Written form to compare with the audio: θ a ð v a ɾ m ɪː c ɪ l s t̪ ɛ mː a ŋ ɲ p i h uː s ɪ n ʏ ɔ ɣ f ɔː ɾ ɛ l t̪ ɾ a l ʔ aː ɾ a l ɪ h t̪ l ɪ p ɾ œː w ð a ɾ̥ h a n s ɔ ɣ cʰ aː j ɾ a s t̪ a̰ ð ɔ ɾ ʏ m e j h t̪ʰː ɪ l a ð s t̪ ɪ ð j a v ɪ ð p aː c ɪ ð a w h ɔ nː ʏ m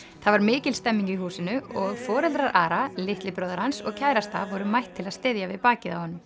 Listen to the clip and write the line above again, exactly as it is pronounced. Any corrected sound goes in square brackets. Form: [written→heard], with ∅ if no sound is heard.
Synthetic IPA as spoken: θ a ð v a ɾ m ɪː c ɪ l s t̪ ɛ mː [a→i] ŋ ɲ [p→c] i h uː s ɪ n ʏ ɔ ɣ f ɔː ɾ ɛ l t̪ ɾ a [l→ɾ] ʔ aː ɾ a l ɪ h t̪ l ɪ p ɾ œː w ð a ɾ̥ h a n s ɔ ɣ cʰ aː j ɾ a s t̪ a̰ [ð→v] ɔ ɾ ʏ m [e→a] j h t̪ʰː ɪ l a ð s t̪ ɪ ð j a v ɪ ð p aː c ɪ ð a w h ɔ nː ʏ m